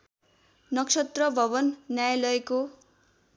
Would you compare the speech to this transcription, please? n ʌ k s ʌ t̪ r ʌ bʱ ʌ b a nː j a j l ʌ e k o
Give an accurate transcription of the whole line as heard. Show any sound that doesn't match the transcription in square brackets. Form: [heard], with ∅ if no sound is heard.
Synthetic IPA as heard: n ʌ k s ʌ t̪ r ʌ bʱ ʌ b [ʌ] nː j a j l ʌ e k o

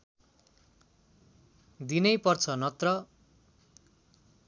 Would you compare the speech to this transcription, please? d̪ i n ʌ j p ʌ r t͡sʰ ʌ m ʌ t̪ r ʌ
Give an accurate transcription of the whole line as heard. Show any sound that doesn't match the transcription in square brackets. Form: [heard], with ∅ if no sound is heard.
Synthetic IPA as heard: d̪ i n ʌ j p ʌ r t͡sʰ ʌ [n] ʌ t̪ r ʌ

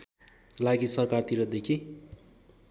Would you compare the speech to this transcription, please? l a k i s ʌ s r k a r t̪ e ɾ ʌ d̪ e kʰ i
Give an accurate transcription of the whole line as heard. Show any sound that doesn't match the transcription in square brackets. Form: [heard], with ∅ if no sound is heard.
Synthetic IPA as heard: l a [ɡ] i s ʌ [∅] r k a r t̪ [i] ɾ ʌ d̪ e kʰ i

